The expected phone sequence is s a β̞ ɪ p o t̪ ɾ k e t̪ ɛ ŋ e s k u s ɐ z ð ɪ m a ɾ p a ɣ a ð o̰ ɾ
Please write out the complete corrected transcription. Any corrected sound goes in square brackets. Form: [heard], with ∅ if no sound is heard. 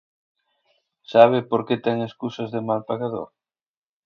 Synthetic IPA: s a β̞ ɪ p o [∅] ɾ k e t̪ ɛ ŋ e s k u s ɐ z ð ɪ m a [l] p a ɣ a ð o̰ ɾ

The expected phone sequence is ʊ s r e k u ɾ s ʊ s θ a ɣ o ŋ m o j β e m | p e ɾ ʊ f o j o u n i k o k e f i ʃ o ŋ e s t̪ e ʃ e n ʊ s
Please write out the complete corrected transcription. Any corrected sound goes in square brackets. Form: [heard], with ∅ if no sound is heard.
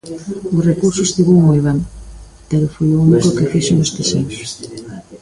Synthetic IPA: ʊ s r e k u ɾ s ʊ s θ [i] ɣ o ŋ m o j β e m | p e ɾ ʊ f o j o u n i k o k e f i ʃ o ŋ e s t̪ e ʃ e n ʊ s

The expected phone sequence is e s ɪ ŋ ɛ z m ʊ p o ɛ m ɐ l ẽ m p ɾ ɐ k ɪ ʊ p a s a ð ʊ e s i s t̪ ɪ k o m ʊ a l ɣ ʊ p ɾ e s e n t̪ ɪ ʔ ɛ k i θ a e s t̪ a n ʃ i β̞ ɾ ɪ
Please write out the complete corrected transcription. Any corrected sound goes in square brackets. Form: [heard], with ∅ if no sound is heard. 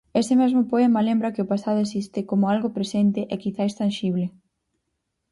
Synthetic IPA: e s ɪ [m] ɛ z m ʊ p o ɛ m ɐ l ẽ m [b] ɾ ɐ k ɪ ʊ p a s a ð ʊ e s i s t̪ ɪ k o m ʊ a l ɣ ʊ p ɾ e s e n t̪ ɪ ʔ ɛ k i θ a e s t̪ a n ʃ i β̞ [l] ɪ

